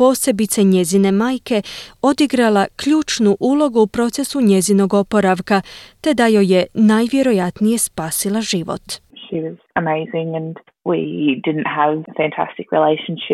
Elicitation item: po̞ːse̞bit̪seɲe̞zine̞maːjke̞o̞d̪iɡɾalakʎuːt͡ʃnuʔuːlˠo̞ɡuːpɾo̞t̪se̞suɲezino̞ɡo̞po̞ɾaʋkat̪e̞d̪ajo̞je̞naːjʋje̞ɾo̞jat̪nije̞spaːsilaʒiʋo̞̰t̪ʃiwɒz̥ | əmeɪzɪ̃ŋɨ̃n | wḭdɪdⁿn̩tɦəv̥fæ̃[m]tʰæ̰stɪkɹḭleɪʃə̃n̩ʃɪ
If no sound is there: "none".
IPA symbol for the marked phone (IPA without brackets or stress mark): n